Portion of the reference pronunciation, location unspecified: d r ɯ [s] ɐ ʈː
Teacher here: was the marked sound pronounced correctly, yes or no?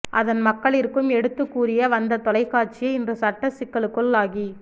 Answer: yes